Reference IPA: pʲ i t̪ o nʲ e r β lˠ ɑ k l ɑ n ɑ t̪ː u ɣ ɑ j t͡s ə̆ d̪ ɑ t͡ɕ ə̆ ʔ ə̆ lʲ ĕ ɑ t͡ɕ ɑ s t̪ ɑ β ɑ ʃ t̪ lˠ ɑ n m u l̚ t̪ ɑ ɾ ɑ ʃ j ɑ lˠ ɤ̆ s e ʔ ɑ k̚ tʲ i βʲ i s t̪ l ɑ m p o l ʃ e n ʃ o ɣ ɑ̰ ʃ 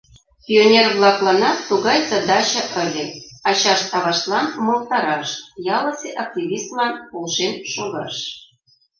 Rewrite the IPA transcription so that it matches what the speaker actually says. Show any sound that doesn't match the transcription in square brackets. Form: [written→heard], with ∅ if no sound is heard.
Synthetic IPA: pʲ i [t̪→∅] o nʲ e r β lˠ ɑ k l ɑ n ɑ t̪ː u ɣ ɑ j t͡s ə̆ d̪ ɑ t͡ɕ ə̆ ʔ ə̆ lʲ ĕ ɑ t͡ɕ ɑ [s→ʃ] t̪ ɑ β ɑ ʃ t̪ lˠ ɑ n m [u→o] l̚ t̪ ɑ ɾ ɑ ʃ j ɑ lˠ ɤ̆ s e ʔ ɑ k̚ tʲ i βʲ i s t̪ l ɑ [m→n] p o l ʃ e n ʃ o ɣ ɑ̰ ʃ